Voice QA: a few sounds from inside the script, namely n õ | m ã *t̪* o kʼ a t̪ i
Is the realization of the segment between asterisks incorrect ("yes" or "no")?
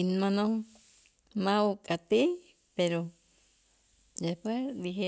yes